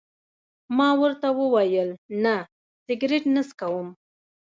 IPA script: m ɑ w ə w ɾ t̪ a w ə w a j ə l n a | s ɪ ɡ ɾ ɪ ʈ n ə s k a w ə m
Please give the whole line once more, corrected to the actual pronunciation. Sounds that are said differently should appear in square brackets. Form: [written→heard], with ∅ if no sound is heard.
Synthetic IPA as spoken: m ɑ w ə [w→∅] ɾ t̪ a w ə w a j ə l n a | s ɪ ɡ ɾ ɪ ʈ n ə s k a w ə m